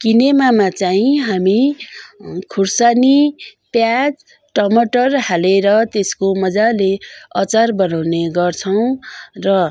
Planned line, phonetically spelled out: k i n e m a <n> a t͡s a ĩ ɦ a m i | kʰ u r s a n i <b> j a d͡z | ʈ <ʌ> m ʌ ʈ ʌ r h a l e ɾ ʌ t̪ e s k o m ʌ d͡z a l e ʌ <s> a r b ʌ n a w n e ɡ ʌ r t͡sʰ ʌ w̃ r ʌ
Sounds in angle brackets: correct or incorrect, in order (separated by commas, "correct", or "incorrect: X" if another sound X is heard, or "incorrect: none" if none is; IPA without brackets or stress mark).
incorrect: m, incorrect: p, correct, incorrect: t͡s